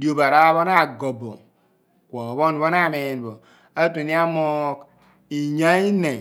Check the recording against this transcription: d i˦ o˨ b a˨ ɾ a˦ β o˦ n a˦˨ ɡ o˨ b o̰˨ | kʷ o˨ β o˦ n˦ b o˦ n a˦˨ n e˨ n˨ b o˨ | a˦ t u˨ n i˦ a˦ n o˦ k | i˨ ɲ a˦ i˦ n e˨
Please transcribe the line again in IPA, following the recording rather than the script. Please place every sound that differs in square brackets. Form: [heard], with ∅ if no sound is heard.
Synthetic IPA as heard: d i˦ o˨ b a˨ ɾ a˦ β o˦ n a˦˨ ɡ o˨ b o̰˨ | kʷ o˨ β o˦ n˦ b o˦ n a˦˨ [m] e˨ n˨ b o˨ | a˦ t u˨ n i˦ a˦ [m] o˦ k | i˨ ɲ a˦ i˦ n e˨